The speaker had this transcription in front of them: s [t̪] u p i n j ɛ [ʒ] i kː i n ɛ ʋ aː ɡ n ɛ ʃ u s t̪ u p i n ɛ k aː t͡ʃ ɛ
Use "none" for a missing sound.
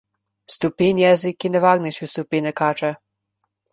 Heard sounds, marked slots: t̪, z

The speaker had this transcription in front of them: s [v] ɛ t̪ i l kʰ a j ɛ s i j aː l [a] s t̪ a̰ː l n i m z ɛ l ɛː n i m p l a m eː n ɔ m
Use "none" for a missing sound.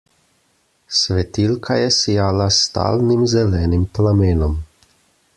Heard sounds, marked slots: ʋ, a

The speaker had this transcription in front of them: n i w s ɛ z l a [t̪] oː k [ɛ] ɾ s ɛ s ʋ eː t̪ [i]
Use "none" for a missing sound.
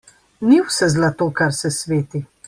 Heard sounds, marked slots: t̪, a, i

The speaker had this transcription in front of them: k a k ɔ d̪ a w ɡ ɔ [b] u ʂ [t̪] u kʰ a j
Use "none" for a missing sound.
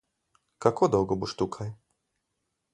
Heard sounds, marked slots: b, t̪

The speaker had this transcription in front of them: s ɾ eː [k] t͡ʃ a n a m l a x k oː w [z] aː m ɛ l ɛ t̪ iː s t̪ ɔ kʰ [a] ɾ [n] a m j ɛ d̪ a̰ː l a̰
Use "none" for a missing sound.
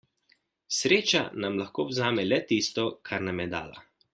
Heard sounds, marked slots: none, z, a, n

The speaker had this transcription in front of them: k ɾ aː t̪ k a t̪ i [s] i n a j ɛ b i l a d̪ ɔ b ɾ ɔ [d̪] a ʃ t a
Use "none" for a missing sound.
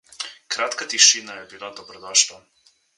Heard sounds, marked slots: ʃ, d̪

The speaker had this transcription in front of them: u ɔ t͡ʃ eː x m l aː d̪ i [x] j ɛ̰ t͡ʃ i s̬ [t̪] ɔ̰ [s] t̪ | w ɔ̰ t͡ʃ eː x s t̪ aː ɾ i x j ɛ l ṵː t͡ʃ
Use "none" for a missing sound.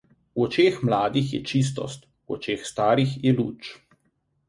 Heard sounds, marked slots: x, t̪, s

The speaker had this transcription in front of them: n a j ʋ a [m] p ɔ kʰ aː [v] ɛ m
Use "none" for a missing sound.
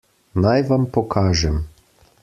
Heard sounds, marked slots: m, ʒ

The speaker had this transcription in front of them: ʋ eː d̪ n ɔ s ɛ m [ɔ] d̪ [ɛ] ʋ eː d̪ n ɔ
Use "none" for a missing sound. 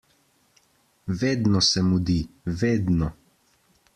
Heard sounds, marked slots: u, i

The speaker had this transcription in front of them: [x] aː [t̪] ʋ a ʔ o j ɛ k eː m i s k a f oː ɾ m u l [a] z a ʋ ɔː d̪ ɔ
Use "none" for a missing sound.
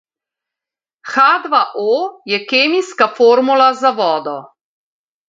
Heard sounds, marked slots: x, d̪, a

